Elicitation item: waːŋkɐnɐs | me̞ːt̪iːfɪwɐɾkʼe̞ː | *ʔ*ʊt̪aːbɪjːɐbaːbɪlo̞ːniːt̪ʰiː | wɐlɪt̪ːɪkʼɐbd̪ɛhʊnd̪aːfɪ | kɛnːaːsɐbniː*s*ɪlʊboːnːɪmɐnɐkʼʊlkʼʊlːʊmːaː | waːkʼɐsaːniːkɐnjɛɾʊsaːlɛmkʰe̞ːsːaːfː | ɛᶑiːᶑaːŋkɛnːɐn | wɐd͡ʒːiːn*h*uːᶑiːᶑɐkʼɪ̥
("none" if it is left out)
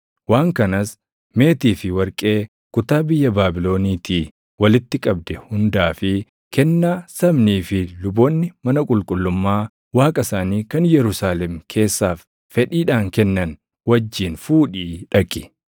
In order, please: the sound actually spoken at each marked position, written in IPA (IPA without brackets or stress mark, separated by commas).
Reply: k, f, f